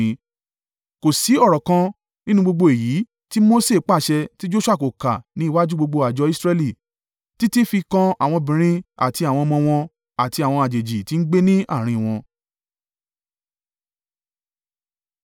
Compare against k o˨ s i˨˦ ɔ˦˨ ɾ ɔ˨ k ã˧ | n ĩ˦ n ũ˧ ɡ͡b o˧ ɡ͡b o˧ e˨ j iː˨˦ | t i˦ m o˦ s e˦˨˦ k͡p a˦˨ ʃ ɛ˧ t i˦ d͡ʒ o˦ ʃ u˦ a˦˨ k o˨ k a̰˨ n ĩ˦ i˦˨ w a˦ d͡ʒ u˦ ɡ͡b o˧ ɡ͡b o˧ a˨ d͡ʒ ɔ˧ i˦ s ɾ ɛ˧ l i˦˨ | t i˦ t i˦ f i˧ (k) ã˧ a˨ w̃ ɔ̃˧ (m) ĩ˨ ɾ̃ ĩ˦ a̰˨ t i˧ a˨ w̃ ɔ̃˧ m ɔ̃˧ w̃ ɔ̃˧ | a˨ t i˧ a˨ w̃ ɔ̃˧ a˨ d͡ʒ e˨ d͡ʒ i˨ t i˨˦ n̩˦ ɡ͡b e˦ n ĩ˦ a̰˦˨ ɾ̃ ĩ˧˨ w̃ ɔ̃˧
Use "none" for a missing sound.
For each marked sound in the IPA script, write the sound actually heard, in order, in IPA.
k, b

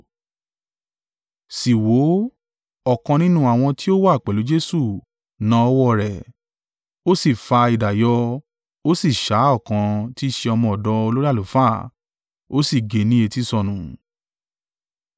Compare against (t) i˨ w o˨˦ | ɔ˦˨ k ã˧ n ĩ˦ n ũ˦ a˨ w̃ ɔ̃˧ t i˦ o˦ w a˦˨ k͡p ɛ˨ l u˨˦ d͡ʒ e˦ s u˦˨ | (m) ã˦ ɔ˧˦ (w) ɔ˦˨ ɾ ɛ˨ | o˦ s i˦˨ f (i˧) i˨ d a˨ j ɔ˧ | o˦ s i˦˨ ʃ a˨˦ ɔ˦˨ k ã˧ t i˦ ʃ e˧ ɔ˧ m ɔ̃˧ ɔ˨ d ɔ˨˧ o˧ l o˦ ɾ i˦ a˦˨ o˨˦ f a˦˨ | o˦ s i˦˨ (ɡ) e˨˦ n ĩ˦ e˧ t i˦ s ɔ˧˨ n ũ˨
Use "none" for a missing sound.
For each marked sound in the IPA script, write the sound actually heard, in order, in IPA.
s, n, w, a˧, ɡ

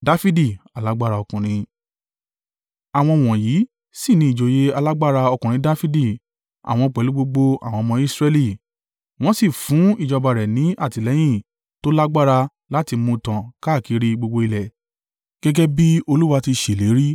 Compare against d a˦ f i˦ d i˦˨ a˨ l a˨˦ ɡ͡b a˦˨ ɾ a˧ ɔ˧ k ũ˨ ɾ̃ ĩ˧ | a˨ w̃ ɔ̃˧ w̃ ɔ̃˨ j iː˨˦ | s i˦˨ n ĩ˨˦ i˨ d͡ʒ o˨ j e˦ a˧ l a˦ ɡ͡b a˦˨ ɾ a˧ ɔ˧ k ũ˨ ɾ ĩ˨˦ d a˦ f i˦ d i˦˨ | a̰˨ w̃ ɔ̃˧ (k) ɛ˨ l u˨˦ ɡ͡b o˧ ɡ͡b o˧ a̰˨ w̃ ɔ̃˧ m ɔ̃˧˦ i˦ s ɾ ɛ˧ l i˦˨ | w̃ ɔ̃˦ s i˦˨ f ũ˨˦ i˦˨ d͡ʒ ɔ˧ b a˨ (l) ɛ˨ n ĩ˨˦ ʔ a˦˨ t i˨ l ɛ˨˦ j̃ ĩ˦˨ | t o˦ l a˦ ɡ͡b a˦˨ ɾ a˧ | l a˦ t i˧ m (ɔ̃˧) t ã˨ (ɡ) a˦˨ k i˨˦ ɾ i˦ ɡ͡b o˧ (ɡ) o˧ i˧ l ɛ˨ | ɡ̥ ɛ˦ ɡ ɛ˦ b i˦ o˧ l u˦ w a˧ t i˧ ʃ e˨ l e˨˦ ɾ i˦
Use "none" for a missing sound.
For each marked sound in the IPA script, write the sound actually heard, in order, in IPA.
k͡p, ɾ, ũ˧, k, ɡ͡b

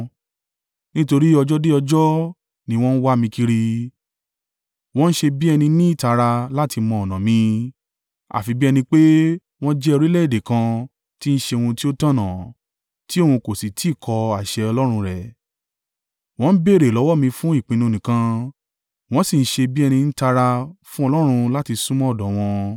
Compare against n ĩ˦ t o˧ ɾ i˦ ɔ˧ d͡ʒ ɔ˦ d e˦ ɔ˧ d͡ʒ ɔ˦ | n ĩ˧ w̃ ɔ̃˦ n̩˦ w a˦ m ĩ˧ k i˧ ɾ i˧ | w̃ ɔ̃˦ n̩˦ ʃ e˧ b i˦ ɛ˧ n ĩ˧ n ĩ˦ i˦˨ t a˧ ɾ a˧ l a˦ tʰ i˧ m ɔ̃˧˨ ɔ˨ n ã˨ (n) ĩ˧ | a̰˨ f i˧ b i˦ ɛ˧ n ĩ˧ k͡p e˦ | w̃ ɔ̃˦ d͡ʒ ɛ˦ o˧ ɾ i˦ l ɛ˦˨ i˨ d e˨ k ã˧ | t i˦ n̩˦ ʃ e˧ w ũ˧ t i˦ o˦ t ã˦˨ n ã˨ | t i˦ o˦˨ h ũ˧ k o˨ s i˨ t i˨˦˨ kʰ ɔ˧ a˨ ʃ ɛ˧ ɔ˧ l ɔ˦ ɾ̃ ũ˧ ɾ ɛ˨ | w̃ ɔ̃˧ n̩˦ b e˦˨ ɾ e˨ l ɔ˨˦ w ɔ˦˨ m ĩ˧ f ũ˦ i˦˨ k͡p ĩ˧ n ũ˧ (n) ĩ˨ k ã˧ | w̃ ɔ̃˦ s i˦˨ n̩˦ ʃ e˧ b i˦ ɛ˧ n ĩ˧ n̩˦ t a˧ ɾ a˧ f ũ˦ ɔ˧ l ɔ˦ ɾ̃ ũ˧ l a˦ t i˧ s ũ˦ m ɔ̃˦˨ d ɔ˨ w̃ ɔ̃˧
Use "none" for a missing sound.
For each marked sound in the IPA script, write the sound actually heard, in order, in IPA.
m, n

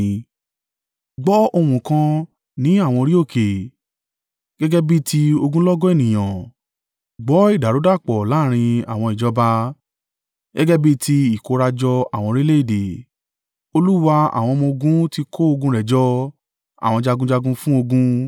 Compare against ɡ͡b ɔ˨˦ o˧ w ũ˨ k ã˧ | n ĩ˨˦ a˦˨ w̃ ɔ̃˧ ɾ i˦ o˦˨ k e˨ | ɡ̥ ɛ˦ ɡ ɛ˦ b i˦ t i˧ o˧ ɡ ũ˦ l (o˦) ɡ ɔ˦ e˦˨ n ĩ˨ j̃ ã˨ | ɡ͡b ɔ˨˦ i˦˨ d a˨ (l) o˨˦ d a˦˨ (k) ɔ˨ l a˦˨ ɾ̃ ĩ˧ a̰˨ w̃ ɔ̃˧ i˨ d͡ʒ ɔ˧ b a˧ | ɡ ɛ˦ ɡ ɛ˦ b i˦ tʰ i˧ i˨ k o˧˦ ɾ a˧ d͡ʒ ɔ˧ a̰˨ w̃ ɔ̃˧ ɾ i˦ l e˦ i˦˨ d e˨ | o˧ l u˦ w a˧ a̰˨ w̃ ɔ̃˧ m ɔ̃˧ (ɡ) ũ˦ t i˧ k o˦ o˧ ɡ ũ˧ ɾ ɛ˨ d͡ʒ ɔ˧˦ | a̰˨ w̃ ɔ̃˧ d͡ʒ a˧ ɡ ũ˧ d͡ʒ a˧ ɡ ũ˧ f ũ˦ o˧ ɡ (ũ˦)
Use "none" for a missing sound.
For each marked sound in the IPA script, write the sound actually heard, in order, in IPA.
ɔ˦, ɾ, k͡p, ɡ, ũ˦

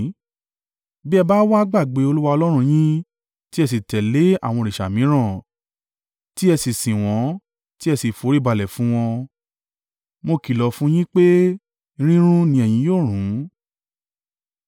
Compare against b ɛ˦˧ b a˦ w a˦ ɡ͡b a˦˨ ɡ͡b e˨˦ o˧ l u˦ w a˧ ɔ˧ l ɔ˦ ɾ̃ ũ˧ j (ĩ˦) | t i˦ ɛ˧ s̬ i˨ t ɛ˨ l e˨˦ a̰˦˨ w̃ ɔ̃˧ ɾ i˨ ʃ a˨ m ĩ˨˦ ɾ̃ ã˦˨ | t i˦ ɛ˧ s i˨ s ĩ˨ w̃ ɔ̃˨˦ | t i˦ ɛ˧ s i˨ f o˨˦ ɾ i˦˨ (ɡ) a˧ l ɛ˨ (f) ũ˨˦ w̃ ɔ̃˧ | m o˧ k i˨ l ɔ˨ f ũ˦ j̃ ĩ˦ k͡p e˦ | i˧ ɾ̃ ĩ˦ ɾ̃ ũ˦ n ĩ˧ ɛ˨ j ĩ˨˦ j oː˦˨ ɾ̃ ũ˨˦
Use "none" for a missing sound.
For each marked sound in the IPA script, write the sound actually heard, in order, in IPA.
ĩ˦, b, f

